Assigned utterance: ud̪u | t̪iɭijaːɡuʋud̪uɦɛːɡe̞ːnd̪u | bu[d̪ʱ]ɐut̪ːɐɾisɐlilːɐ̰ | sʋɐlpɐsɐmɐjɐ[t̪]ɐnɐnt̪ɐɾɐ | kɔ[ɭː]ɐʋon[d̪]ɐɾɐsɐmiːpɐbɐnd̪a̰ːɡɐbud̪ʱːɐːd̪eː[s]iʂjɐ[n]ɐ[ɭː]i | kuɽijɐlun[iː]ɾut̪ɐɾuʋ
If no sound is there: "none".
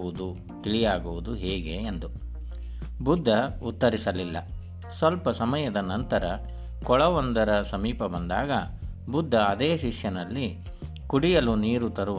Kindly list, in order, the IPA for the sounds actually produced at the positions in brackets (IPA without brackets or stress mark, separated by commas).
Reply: d̪ʱː, d̪, ɭ, d̪, ʃ, n, lː, iː